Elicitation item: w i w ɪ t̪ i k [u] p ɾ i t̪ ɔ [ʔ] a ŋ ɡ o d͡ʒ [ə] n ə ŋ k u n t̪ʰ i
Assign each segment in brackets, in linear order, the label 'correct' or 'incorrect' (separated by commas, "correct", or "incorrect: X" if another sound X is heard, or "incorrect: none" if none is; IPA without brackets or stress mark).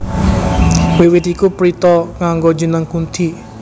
correct, incorrect: k, correct